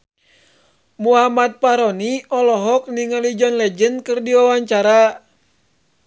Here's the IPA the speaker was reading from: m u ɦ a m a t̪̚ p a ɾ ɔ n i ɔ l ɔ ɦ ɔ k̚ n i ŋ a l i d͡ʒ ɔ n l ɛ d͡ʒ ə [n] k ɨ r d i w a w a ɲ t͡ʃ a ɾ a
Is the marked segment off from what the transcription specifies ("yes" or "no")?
no